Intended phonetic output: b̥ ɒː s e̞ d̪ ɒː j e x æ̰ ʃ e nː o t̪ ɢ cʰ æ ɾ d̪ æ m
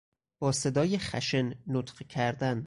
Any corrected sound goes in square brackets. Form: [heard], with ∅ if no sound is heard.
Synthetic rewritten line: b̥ ɒː s e̞ d̪ ɒː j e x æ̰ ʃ e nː o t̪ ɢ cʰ æ ɾ d̪ æ [n]